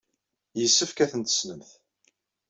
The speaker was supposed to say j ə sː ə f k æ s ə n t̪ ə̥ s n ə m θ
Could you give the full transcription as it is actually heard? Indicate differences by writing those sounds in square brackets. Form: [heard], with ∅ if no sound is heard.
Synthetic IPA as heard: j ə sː ə f k æ [θ] ə n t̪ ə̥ s n ə m θ